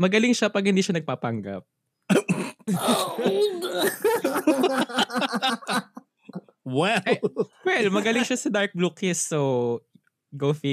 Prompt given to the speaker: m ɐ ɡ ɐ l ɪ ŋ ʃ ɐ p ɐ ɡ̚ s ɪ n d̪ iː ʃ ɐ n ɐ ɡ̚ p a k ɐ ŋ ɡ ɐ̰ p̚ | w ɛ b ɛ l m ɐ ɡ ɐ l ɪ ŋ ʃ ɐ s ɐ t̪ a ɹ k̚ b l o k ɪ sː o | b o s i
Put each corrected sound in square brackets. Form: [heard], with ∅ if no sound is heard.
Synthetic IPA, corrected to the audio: m ɐ ɡ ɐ l ɪ ŋ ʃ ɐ p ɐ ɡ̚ [h] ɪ n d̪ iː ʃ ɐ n ɐ ɡ̚ p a [p] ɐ ŋ ɡ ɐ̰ p̚ | w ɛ [w] ɛ l m ɐ ɡ ɐ l ɪ ŋ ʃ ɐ s ɐ [d̪] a ɹ k̚ b l [u] k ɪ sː o | [ɡ] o [f] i